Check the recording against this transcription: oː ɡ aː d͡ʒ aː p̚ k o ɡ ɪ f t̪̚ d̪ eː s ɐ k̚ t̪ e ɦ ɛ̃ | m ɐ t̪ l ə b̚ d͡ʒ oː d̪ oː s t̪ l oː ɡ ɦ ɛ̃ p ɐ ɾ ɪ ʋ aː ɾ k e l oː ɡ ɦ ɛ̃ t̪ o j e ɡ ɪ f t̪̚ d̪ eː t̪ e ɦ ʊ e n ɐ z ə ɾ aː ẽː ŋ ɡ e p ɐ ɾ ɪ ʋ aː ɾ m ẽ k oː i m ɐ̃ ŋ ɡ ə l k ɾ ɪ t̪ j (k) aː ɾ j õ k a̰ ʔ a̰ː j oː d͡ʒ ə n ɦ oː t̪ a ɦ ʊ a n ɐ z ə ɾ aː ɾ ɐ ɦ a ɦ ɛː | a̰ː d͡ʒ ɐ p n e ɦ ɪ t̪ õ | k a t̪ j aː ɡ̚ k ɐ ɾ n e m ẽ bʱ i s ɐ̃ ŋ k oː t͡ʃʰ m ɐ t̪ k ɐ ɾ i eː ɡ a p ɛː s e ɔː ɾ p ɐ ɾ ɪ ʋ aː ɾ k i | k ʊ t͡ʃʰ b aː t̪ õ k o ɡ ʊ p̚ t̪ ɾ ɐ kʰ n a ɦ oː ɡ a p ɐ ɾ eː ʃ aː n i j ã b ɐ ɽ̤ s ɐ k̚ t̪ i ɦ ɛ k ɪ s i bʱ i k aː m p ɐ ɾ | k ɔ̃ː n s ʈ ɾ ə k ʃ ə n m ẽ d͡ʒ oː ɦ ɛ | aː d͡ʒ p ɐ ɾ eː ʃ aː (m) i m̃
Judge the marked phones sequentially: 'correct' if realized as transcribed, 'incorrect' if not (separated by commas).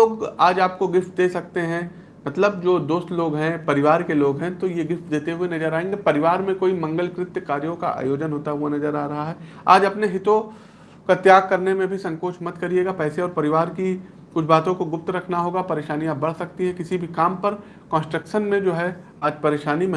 correct, incorrect